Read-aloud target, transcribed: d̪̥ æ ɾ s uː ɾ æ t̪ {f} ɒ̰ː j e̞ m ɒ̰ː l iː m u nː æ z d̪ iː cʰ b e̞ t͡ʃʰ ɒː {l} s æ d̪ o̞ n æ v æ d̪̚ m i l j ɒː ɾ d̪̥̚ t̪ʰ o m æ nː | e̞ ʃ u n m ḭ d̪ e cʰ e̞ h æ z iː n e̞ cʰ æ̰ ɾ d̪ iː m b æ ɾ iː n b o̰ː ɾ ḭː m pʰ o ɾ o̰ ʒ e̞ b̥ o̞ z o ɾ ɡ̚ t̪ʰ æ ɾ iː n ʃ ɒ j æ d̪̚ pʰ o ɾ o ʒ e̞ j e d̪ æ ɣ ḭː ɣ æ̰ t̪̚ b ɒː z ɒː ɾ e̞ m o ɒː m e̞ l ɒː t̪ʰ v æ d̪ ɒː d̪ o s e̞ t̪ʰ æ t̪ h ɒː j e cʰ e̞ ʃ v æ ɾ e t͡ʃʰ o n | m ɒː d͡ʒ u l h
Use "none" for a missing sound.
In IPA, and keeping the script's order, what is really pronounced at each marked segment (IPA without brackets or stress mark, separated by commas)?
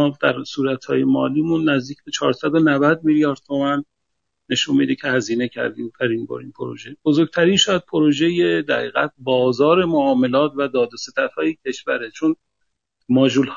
h, ɾ